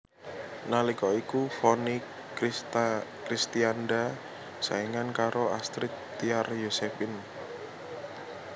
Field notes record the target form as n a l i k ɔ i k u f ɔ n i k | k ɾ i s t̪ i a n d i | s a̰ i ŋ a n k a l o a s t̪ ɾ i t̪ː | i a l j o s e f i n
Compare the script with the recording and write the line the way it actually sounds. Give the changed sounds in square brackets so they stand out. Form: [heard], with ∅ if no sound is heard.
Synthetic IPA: n a l i k ɔ i k u f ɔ n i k | k ɾ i s t̪ i a n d [a] | s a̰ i ŋ a n k a [ɾ] o a s t̪ ɾ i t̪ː | i a [r] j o s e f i n